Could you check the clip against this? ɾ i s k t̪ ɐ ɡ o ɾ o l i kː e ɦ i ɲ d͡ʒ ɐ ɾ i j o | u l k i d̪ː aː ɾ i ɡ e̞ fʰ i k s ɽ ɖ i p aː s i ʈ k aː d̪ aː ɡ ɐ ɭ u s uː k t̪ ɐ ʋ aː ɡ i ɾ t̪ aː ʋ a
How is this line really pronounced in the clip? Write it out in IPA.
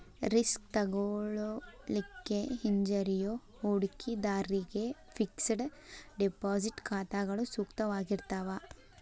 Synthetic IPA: ɾ i s k t̪ ɐ ɡ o ɭ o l i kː e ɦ i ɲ d͡ʒ ɐ ɾ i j o | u ɽ k i d̪ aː ɾ i ɡ e̞ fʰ i k s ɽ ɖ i p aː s i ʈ k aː t̪ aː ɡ ɐ ɭ u s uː k t̪ ɐ ʋ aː ɡ i ɾ t̪ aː ʋ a